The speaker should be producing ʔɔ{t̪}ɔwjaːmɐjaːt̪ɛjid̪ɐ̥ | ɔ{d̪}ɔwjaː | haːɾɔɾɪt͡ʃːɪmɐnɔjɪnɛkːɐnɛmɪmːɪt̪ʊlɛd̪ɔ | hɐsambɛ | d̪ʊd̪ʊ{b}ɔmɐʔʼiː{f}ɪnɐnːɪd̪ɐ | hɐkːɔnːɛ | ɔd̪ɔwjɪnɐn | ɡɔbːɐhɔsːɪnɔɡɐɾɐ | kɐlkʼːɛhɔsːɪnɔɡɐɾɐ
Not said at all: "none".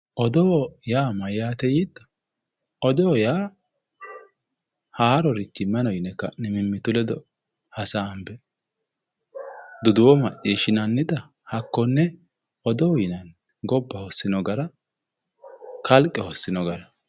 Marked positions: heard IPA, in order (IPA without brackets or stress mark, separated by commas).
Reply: d̪, d̪, w, ʃ